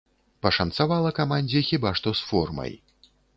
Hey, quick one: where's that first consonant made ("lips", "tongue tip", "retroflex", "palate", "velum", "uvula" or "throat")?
lips